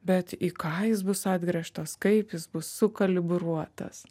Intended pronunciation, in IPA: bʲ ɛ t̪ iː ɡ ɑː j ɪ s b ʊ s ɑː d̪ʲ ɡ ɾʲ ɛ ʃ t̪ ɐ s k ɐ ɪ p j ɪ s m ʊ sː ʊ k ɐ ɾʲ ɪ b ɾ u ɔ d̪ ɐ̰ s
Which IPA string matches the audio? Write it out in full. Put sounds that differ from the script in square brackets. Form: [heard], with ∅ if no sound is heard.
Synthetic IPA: bʲ ɛ t̪ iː [k] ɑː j ɪ s b ʊ s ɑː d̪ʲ ɡ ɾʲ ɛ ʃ t̪ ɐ s k ɐ ɪ p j ɪ s [b] ʊ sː ʊ k ɐ [lʲ] ɪ b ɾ u ɔ [t̪] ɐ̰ s

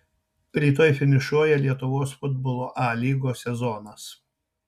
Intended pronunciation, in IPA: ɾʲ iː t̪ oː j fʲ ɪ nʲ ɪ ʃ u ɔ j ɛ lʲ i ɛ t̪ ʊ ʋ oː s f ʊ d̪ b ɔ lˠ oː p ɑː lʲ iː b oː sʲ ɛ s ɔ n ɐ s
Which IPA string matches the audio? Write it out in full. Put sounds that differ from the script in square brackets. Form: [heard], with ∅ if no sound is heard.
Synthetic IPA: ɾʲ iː t̪ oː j fʲ ɪ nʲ ɪ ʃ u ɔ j ɛ lʲ i ɛ t̪ ʊ ʋ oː s f ʊ d̪ b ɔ lˠ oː [ʔ] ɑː lʲ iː [ɡ] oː sʲ ɛ [z] ɔ n ɐ s

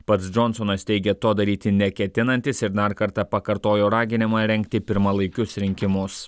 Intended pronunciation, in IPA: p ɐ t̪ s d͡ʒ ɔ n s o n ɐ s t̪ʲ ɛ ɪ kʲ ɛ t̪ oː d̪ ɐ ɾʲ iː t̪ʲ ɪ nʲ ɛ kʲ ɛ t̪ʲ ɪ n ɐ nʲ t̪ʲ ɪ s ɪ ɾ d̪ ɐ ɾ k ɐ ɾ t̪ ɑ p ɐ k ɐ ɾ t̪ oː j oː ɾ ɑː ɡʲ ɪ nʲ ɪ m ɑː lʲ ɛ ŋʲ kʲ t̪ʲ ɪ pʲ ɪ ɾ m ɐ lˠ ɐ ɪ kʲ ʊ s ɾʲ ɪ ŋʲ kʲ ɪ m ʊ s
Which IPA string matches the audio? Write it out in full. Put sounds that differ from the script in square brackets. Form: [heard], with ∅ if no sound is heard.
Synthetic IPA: p ɐ t̪ s d͡ʒ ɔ n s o n ɐ s t̪ʲ ɛ ɪ [ɡʲ] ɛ t̪ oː d̪ ɐ ɾʲ iː t̪ʲ ɪ nʲ ɛ kʲ ɛ t̪ʲ ɪ n ɐ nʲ t̪ʲ ɪ s ɪ ɾ d̪ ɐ ɾ k ɐ ɾ t̪ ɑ p ɐ k ɐ ɾ t̪ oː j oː ɾ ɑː ɡʲ ɪ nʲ ɪ m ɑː [ɾʲ] ɛ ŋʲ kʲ t̪ʲ ɪ pʲ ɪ ɾ m ɐ lˠ ɐ ɪ kʲ ʊ s ɾʲ ɪ ŋʲ kʲ ɪ m ʊ s

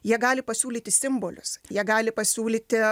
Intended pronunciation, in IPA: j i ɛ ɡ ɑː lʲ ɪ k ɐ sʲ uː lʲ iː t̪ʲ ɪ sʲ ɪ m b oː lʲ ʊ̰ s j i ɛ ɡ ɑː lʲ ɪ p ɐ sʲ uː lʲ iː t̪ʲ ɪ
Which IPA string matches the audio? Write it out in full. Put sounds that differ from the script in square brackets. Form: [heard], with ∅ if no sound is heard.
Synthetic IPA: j i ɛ ɡ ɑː lʲ ɪ [p] ɐ sʲ uː lʲ iː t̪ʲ ɪ sʲ ɪ m b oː lʲ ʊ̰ s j i ɛ ɡ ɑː lʲ ɪ p ɐ sʲ uː lʲ iː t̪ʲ ɪ

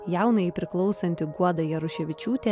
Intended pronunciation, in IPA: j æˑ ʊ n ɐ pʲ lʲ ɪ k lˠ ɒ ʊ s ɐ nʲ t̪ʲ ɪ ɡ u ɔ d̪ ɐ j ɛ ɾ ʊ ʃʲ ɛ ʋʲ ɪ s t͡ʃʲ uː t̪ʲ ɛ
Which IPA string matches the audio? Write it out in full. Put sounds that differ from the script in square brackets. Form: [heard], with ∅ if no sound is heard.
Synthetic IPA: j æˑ ʊ n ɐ pʲ [ɾʲ] ɪ k lˠ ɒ ʊ s ɐ nʲ t̪ʲ ɪ ɡ u ɔ d̪ ɐ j ɛ ɾ ʊ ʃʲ ɛ ʋʲ ɪ [∅] t͡ʃʲ uː t̪ʲ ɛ

